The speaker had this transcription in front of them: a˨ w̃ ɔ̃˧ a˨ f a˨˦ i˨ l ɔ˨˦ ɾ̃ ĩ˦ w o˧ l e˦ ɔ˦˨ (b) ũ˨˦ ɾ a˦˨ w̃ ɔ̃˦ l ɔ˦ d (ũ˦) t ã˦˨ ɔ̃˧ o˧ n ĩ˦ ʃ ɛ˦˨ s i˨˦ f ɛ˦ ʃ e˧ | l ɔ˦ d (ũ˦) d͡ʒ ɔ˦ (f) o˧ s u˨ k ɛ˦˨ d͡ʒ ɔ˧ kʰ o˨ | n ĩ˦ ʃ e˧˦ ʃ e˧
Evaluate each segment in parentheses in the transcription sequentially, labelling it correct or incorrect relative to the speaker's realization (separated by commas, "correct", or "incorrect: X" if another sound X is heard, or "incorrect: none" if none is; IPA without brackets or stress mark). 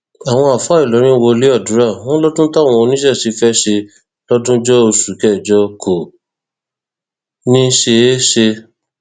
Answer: incorrect: d, correct, correct, incorrect: none